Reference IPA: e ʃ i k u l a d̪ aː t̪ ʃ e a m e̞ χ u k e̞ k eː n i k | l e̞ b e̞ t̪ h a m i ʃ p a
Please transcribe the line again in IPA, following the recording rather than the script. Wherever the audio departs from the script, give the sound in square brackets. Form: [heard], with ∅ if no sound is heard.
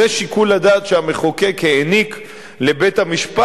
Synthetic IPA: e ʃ i k u l a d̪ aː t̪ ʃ e a m e̞ χ [o] k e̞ k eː n i k | l e̞ b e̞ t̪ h a m i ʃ p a

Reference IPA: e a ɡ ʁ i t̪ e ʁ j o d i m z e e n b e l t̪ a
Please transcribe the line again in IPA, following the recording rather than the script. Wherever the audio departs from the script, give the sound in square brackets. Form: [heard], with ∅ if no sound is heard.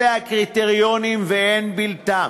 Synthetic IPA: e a [k] ʁ i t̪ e ʁ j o [n] i m [v] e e n b [i] l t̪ a

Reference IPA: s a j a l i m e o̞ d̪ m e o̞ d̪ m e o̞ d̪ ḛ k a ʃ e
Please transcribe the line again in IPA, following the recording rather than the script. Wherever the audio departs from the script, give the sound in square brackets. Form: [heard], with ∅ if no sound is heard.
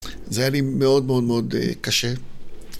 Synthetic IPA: [z] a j a l i m e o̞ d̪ m e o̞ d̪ m e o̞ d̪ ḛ k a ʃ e

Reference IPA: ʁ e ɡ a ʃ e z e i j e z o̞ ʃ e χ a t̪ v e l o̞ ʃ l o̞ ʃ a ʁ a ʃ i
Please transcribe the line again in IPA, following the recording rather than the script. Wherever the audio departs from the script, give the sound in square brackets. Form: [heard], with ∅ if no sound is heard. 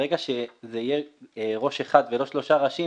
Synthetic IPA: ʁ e ɡ a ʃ e z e i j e [ʁ] o̞ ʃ e χ a [d̪] v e l o̞ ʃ l o̞ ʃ a ʁ a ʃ i

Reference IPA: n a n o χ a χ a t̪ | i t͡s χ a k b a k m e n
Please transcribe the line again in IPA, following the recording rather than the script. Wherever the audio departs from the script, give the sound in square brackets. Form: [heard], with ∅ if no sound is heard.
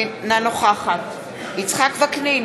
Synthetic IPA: n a n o χ a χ a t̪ | i t͡s χ a k [v] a k [n] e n

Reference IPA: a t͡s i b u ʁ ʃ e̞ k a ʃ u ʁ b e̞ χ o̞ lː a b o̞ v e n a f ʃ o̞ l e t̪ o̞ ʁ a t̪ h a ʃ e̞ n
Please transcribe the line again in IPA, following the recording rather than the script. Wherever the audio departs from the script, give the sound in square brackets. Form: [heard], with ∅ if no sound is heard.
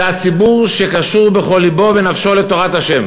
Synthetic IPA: a t͡s i b u ʁ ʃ e̞ k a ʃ u ʁ b e̞ χ o̞ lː [i] b o̞ v e n a f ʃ o̞ l e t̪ o̞ ʁ a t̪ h a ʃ e̞ [m]

